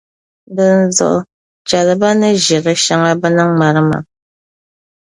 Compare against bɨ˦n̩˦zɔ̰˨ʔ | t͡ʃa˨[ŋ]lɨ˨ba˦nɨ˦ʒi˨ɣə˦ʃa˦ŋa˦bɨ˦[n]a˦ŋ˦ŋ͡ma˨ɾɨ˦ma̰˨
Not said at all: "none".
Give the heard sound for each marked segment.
none, n

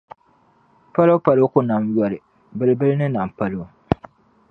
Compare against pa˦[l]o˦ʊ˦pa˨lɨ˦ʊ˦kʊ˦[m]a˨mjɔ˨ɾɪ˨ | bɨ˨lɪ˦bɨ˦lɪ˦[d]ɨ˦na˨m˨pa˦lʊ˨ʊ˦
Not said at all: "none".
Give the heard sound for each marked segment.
l, n, n

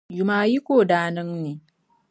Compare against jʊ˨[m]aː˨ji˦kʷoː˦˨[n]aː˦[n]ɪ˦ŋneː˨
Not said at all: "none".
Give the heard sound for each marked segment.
m, d, n

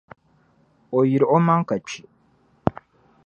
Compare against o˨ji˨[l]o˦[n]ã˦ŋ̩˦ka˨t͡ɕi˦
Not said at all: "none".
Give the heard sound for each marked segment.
ɾ, m

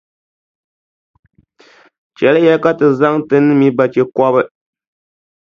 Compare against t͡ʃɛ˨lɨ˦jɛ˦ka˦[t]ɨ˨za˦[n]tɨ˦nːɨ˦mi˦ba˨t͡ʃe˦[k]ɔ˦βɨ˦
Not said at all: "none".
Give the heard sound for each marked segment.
t, ŋ, k

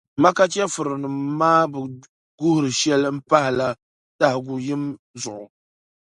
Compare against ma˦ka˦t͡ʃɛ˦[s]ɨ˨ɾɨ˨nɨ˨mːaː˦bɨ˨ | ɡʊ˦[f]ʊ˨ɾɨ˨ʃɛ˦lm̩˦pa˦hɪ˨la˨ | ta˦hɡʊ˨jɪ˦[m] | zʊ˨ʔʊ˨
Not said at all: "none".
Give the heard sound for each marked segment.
f, h, m

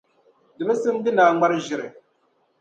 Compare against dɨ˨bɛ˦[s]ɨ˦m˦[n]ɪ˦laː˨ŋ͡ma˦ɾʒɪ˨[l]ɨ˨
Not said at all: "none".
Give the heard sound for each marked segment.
s, d, ɾ

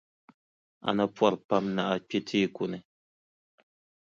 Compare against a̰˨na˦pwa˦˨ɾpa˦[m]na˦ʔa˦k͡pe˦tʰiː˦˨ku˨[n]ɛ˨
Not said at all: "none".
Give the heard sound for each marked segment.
m, n

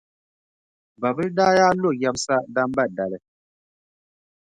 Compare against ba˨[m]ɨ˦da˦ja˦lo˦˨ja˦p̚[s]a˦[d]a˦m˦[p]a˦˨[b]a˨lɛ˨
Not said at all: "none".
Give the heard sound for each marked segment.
b, s, d, b, d

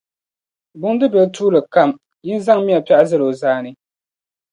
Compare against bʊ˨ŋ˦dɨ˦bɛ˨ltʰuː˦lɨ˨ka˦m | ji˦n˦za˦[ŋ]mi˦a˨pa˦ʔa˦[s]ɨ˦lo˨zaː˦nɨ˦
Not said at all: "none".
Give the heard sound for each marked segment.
ŋ, z

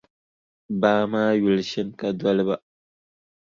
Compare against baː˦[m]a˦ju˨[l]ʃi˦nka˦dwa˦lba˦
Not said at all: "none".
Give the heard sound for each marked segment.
m, l

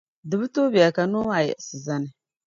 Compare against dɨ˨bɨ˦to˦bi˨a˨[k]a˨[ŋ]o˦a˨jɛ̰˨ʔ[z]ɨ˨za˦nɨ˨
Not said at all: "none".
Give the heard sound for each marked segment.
k, n, s

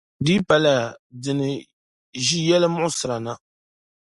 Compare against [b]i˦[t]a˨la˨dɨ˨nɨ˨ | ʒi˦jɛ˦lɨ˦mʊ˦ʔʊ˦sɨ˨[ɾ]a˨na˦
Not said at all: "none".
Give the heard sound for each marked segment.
d, p, ɾ

